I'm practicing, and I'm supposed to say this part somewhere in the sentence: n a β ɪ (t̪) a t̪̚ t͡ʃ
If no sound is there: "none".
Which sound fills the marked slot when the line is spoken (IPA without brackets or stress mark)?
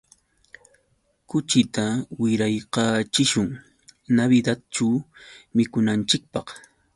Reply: d̪